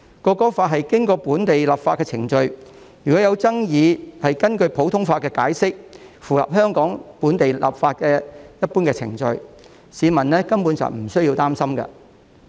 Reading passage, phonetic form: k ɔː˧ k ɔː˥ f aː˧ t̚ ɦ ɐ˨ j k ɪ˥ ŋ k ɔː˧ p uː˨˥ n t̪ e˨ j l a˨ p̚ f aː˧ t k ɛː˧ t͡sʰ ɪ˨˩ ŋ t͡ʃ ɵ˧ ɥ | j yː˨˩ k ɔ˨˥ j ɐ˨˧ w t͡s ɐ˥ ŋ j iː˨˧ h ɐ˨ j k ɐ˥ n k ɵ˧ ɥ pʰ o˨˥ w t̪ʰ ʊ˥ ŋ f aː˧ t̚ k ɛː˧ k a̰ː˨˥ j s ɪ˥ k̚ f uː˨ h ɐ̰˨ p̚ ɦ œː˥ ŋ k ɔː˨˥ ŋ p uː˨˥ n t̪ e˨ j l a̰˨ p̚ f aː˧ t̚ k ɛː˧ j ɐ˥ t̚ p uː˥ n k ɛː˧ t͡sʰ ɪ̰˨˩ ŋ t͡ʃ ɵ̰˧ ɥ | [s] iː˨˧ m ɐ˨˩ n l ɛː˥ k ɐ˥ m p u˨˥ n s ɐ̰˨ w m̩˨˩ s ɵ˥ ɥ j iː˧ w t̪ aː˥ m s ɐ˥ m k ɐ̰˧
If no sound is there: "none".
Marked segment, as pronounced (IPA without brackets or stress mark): s